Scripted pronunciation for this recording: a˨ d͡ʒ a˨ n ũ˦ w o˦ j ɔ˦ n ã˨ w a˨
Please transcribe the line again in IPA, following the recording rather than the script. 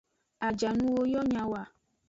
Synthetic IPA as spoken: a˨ d͡ʒ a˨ n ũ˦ w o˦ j ɔ˦ ɲ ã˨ w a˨